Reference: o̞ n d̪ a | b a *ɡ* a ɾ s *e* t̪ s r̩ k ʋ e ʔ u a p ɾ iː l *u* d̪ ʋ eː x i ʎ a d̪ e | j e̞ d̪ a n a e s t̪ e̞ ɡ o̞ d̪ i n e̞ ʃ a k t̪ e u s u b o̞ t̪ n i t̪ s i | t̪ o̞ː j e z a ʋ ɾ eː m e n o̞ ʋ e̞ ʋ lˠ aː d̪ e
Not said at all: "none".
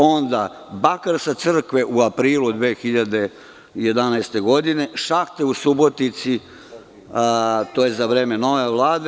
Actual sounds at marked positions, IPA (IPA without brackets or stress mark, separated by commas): k, a, u